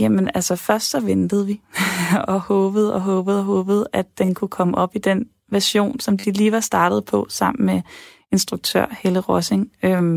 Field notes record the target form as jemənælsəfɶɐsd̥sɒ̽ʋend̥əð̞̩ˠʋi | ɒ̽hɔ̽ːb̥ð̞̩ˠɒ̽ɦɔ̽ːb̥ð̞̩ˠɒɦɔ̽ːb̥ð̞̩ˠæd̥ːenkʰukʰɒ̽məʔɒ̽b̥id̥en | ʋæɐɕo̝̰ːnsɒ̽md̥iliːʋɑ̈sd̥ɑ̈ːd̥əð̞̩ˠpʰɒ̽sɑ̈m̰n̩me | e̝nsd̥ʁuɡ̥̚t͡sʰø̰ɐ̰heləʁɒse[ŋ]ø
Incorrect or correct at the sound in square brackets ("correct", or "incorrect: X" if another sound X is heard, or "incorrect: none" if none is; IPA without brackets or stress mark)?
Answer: correct